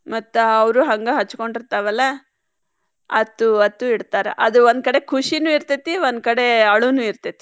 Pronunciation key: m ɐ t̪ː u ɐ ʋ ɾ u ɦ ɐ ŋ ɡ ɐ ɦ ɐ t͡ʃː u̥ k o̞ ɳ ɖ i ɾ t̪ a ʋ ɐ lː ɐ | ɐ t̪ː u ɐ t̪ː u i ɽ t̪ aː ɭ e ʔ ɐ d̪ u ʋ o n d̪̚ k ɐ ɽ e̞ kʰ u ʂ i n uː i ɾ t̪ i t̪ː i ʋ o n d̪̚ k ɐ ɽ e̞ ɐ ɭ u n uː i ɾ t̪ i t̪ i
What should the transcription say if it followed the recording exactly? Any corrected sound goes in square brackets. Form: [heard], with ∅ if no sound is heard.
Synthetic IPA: m ɐ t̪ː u ɐ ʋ ɾ u ɦ ɐ ŋ ɡ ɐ ɦ ɐ t͡ʃː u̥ k o̞ ɳ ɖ i ɾ t̪ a ʋ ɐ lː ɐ | ɐ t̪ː u ɐ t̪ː u i ɽ t̪ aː [ɾ] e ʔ ɐ d̪ u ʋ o n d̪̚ k ɐ ɽ e̞ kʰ u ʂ i n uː i ɾ t̪ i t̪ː i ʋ o n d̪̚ k ɐ ɽ e̞ ɐ ɭ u n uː i ɾ t̪ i t̪ i